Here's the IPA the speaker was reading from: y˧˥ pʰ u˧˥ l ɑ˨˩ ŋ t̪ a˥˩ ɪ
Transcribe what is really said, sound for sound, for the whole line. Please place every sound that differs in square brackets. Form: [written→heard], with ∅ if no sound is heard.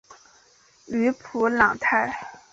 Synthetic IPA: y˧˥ pʰ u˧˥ l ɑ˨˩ ŋ [t̪→t̪ʰ] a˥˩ ɪ